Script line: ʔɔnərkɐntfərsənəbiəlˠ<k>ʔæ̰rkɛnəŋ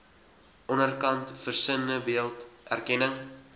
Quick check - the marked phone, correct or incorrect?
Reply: incorrect